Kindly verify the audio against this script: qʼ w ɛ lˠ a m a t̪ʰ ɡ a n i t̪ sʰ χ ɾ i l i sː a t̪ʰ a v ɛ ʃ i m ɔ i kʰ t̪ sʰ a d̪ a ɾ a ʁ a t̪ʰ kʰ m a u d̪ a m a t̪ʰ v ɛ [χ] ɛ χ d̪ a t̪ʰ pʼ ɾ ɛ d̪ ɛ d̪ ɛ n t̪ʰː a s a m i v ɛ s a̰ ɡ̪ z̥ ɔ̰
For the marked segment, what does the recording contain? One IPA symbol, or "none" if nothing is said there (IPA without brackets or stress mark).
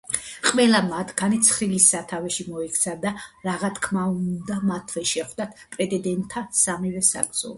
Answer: ʃ